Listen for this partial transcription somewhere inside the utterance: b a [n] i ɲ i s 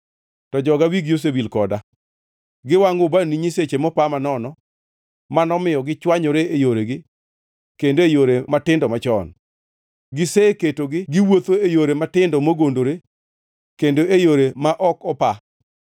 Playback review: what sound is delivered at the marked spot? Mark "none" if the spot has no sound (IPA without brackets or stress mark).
n